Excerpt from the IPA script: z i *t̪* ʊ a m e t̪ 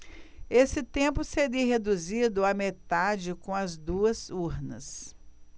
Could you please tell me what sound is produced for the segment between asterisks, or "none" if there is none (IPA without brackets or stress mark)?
d̪